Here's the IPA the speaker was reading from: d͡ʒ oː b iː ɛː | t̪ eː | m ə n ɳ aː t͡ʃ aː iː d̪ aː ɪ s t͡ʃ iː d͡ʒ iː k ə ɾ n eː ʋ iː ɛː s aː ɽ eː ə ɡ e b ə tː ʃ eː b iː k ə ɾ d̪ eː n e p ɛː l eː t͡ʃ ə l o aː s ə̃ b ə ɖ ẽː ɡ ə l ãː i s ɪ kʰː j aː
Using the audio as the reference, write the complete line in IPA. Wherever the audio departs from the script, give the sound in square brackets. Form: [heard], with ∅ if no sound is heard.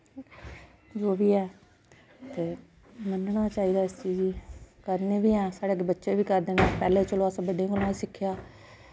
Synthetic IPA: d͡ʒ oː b iː ɛː | t̪ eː | m ə n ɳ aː t͡ʃ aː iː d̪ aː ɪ s t͡ʃ iː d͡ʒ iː k ə ɾ n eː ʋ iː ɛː s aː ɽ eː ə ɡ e b ə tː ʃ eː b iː k ə ɾ d̪ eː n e p ɛː l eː t͡ʃ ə l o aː s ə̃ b ə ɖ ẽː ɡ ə l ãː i s ɪ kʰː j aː

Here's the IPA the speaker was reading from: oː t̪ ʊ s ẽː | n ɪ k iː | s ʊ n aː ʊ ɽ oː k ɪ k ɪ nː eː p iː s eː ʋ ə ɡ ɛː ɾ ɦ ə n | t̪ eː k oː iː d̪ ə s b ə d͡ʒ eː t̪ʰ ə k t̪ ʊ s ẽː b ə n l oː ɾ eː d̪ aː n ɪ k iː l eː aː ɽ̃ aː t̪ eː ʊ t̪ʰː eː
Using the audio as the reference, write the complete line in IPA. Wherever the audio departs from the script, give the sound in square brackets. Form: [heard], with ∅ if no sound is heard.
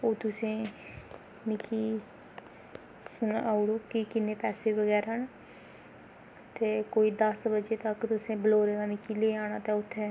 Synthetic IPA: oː t̪ ʊ s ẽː | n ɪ k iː | s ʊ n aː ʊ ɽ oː k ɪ k ɪ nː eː p [ɛː] s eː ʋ ə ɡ ɛː ɾ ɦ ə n | t̪ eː k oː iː d̪ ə s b ə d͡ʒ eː [t̪] ə k t̪ ʊ s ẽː b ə [∅] l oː ɾ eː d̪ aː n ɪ k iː l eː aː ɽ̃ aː t̪ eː ʊ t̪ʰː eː

